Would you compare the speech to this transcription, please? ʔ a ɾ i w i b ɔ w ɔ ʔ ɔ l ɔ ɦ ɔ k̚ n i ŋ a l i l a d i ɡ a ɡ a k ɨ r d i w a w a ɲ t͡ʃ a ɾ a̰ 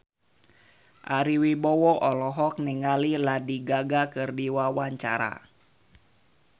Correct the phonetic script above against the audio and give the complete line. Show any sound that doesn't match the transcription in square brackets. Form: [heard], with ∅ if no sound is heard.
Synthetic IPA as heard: ʔ a ɾ i w i b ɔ w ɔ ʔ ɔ l ɔ ɦ ɔ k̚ n i ŋ a l i l a d i ɡ a ɡ a k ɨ r d i w a w a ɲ t͡ʃ a ɾ a̰